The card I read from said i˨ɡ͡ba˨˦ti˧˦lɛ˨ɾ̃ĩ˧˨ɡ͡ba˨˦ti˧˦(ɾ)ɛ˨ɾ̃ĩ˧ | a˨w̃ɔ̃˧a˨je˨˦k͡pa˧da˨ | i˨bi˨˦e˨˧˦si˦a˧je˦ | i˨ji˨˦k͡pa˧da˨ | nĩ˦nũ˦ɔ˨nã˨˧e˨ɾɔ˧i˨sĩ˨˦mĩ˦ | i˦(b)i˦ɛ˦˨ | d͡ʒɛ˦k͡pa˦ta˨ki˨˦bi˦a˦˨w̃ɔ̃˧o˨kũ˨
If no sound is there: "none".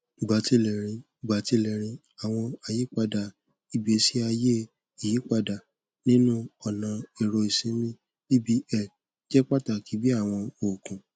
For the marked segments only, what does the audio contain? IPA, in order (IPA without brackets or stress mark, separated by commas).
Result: l, b